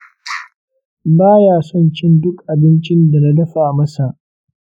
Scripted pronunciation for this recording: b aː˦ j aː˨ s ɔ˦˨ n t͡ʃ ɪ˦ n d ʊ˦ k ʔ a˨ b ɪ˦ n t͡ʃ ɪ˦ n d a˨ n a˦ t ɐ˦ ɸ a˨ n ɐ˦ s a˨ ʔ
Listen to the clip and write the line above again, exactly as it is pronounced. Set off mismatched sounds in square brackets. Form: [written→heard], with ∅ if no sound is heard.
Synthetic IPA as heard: b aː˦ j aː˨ s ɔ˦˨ n t͡ʃ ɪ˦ n d ʊ˦ k ʔ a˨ b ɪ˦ n t͡ʃ ɪ˦ n d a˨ n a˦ [t→d] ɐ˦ ɸ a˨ [n→m] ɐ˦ s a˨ ʔ